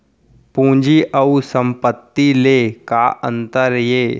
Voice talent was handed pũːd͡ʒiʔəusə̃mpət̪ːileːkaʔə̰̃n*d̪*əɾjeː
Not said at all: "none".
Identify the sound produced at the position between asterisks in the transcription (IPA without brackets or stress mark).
t̪